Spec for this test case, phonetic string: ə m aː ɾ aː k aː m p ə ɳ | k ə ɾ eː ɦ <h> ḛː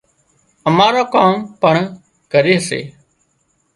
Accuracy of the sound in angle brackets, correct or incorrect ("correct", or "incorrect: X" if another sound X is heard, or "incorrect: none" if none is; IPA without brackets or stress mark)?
incorrect: s